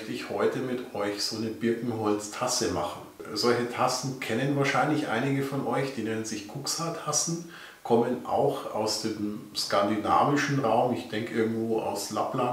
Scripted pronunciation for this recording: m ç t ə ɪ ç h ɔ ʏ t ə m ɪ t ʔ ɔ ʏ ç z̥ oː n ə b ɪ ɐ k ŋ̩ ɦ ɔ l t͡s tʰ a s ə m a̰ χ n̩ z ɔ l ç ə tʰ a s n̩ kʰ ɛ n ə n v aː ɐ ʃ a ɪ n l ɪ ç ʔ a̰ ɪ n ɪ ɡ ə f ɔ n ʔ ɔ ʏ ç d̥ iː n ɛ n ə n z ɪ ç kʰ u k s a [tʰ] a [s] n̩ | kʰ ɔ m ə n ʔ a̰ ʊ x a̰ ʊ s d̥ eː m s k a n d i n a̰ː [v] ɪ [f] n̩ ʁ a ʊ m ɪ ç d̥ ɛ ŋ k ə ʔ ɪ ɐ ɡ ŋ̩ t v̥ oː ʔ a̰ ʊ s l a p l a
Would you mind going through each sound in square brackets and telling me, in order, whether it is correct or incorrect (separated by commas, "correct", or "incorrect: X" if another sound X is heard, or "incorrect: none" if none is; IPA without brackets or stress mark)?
correct, correct, correct, incorrect: ʃ